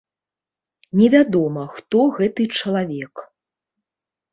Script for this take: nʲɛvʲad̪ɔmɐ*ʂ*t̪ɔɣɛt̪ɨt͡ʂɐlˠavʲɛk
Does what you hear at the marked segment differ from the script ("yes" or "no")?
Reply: yes